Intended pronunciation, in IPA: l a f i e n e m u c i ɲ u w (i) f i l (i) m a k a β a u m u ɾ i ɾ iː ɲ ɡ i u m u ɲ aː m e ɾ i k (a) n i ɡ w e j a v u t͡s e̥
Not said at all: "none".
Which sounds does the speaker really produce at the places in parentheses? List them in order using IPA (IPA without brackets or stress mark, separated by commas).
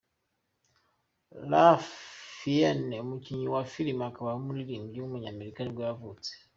a, i, a